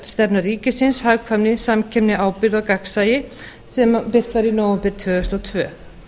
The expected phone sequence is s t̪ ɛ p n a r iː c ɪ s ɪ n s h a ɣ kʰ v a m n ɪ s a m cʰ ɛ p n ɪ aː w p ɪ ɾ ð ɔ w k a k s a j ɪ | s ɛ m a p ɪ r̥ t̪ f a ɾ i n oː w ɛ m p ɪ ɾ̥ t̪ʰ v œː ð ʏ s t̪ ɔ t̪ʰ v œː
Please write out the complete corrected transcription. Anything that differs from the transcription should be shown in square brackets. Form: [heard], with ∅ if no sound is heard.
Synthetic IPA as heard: s t̪ ɛ p n a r iː c ɪ s ɪ n s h a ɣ kʰ v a m n ɪ s a m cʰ ɛ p n ɪ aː w p ɪ ɾ ð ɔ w k a k s a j ɪ | s ɛ m a p ɪ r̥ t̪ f a ɾ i n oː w ɛ m p ɪ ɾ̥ t̪ʰ v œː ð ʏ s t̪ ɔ t̪ʰ v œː